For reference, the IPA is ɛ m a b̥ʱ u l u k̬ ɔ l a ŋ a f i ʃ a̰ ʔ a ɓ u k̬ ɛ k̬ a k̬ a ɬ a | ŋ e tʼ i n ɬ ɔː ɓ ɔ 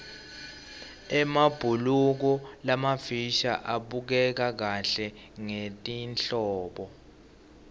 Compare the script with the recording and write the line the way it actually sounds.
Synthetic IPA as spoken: ɛ m a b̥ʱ u l u k̬ ɔ l a m a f i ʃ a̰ ʔ a ɓ u k̬ ɛ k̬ a k̬ a ɬ ɛ | ŋ e tʼ i n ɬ ɔː ɓ ɔ